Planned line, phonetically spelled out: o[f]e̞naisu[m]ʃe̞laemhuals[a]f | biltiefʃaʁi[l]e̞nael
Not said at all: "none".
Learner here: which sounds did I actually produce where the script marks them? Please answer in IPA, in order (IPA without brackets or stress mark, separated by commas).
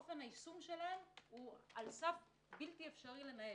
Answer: f, m, a, l